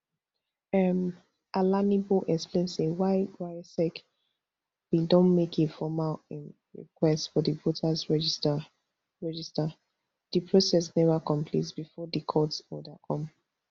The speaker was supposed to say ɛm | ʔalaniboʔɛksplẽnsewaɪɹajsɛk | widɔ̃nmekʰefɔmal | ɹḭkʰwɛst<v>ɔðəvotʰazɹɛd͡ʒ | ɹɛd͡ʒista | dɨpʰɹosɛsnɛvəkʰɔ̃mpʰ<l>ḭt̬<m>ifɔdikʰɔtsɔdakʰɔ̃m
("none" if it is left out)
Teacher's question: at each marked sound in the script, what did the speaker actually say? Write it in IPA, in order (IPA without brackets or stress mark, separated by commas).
f, l, b